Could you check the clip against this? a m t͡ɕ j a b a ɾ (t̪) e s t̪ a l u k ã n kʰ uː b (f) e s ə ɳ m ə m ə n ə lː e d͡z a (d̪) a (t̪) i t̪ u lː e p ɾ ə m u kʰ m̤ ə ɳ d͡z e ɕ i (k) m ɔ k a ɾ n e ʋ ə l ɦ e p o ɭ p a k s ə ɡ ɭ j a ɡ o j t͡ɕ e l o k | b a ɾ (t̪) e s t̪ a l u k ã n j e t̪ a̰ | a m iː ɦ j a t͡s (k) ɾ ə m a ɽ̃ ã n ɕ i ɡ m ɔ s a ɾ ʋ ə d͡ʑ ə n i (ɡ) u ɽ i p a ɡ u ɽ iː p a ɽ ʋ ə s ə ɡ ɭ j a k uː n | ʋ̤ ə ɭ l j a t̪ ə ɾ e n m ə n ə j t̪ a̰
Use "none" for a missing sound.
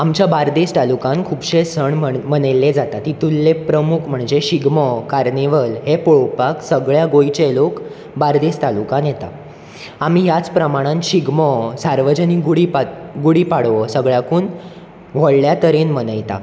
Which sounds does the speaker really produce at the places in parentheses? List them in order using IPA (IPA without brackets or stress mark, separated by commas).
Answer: d̪, ɕ, t̪, t̪, ɡ, d̪, p, ɡ